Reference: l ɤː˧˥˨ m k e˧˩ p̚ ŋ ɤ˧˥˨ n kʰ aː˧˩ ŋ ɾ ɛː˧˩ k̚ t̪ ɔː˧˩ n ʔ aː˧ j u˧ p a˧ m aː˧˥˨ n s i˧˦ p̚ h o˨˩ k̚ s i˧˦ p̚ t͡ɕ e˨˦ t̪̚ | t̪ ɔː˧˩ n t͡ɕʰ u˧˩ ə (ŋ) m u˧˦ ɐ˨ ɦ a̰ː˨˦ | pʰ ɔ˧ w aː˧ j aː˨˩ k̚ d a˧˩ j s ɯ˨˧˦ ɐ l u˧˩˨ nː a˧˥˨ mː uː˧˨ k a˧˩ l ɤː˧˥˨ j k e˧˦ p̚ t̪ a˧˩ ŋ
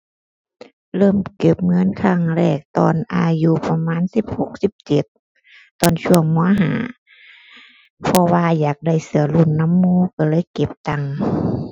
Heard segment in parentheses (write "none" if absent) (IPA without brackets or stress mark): ŋ